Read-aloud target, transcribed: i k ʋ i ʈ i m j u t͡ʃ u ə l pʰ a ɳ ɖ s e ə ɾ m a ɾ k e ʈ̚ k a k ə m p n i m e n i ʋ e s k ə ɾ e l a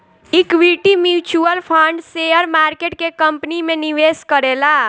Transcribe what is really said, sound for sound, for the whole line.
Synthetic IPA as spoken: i k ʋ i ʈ i m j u t͡ʃ u ə l pʰ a ɳ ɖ s e ə ɾ m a ɾ k e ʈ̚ k e k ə m p n i m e n i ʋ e s k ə ɾ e l a